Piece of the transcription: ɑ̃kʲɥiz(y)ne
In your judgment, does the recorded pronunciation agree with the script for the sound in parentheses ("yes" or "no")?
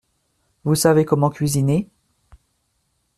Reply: no